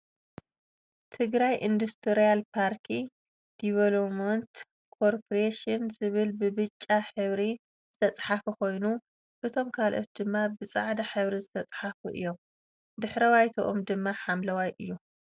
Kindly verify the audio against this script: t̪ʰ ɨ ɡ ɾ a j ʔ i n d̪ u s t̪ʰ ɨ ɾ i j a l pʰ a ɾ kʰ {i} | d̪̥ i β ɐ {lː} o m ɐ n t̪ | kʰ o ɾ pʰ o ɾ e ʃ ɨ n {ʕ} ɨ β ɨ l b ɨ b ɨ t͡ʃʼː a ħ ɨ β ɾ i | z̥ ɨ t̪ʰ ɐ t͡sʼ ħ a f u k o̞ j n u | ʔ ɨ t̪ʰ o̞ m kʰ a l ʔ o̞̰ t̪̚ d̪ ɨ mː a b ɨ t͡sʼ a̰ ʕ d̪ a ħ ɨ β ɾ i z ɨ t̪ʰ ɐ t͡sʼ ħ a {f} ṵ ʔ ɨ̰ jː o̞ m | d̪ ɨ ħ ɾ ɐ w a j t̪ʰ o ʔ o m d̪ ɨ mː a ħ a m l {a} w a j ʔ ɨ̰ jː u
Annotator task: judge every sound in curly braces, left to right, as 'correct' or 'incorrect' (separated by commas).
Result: correct, incorrect, incorrect, correct, incorrect